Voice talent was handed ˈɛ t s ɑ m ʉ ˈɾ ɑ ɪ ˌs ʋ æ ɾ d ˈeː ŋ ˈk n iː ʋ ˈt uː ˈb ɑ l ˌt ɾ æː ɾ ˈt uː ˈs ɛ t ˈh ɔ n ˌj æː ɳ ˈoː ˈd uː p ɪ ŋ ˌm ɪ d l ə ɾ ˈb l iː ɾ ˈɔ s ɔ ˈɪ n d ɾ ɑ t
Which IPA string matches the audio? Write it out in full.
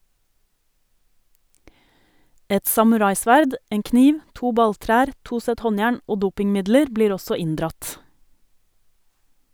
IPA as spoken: ˈɛ t s ɑ m ʉ ˈɾ ɑ ɪ ˌs ʋ æ ɾ d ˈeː ŋ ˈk n iː ʋ ˈt uː ˈb ɑ l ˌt ɾ æː ɾ ˈt uː ˈs ɛ t ˈh ɔ n ˌj æː ɳ ˈoː ˈd uː p ɪ ŋ ˌm ɪ d l ə ɾ ˈb l iː ɾ ˈɔ s ɔ ˈɪ n d ɾ ɑ t